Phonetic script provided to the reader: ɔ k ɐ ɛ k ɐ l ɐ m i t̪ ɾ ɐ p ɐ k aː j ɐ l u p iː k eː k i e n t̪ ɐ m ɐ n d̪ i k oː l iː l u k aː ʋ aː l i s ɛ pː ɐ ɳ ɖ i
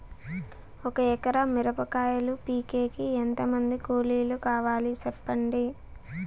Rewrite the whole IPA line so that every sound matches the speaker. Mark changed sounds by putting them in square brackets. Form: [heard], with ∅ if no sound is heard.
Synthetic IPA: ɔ k ɐ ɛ k ɐ [ɾ] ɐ m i [∅] ɾ ɐ p ɐ k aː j ɐ l u p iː k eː k i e n t̪ ɐ m ɐ n d̪ i k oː l iː l u k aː ʋ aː l i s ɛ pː ɐ ɳ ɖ i